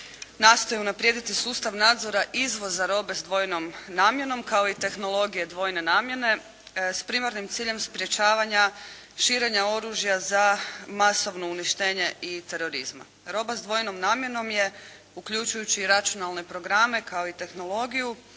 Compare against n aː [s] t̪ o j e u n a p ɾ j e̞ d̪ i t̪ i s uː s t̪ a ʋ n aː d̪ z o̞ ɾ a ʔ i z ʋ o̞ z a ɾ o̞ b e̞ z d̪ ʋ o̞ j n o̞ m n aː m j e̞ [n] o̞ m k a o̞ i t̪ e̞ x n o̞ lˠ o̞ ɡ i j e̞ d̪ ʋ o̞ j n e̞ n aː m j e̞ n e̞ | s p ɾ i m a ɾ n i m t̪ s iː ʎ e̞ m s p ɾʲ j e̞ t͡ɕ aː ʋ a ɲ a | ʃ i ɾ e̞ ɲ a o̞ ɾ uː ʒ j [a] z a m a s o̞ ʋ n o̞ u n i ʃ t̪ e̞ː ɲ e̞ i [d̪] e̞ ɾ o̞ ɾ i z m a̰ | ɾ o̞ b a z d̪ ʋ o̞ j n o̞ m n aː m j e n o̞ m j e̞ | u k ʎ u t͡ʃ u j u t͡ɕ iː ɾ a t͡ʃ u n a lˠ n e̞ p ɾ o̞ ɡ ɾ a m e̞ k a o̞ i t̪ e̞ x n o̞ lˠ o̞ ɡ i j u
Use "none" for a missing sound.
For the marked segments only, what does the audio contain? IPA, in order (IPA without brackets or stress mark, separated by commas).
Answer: s, n, a, t̪